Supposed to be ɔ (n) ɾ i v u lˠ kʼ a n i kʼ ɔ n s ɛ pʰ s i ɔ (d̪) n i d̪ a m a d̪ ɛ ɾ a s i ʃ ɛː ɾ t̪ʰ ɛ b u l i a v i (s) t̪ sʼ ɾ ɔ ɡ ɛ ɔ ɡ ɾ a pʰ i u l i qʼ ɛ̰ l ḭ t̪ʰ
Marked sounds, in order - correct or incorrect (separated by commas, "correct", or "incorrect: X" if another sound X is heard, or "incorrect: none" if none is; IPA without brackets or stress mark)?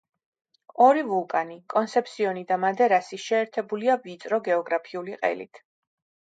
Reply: incorrect: none, incorrect: none, incorrect: none